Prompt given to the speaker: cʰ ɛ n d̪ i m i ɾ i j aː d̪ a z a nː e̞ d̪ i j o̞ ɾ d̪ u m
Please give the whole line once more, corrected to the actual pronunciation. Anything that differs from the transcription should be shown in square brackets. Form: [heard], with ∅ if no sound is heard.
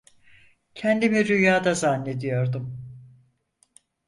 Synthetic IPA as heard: cʰ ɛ n d̪ i m i ɾ [y] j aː d̪ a z a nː e̞ d̪ i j o̞ ɾ d̪ u m